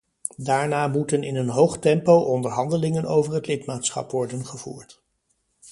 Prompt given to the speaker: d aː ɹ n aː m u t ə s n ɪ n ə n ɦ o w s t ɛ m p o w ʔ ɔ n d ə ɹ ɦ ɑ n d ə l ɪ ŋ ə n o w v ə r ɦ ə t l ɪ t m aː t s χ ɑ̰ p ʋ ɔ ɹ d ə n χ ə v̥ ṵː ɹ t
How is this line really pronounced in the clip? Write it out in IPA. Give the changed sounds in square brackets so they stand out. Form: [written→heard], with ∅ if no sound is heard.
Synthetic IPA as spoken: d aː ɹ n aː m u t ə [s→∅] n ɪ n ə n ɦ o w [s→χ] t ɛ m p o w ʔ ɔ n d ə ɹ ɦ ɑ n d ə l ɪ ŋ ə n o w v ə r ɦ ə t l ɪ t m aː t s χ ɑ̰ p ʋ ɔ ɹ d ə n χ ə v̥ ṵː ɹ t